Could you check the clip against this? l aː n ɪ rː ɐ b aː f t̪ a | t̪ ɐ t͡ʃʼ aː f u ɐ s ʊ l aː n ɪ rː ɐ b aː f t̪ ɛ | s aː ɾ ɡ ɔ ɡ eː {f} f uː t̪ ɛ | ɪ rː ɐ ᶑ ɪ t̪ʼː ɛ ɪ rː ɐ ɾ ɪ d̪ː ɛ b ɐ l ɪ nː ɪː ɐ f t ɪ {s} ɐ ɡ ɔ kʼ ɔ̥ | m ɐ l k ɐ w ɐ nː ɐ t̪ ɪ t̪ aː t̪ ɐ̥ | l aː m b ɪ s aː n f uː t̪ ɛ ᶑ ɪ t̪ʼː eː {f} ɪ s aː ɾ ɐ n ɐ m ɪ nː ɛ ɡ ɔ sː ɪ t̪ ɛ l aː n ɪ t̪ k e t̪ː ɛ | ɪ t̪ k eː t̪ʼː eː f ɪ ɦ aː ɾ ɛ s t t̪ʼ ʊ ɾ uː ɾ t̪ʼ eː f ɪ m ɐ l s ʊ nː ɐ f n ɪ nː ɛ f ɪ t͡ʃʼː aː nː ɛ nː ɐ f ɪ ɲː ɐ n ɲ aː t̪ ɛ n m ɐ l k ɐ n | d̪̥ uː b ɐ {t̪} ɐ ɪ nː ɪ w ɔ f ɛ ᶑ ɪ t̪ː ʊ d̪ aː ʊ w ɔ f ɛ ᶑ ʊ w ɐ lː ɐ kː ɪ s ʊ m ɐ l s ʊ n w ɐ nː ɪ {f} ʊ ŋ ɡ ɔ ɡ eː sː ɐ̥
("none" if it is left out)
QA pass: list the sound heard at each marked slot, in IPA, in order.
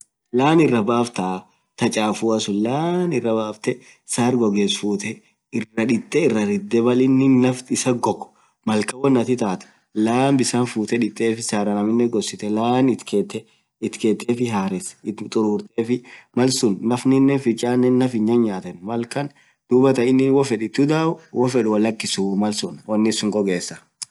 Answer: s, s, f, t̪, s

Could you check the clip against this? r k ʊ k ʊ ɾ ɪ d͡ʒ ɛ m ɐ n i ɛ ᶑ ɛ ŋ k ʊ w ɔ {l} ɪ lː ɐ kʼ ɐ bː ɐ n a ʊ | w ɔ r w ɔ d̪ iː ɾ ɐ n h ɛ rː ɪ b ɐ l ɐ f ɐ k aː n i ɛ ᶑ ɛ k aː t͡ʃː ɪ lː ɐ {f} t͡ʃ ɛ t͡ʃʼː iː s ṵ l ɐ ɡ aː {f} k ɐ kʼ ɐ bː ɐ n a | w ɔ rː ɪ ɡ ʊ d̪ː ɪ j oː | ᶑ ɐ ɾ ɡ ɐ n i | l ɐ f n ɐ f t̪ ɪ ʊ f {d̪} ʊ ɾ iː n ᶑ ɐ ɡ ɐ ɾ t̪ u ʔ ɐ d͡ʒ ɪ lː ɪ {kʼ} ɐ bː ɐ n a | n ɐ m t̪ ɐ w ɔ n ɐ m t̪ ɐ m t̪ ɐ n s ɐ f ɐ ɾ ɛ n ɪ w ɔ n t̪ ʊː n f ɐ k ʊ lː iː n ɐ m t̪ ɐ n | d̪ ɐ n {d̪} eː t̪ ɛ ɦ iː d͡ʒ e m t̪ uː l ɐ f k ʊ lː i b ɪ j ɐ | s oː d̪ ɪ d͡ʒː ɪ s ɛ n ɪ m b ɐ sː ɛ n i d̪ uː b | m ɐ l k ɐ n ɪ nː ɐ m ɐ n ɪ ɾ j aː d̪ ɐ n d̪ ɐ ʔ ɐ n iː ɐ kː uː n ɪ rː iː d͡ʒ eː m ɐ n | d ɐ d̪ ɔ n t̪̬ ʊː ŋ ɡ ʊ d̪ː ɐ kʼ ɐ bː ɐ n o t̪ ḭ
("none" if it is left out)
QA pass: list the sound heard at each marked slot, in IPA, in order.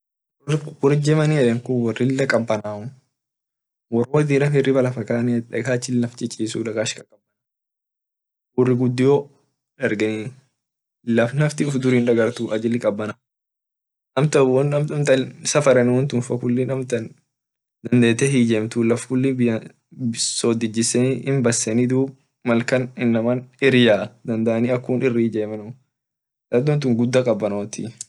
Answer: r, f, ʃ, d̪, kʼ, d̪

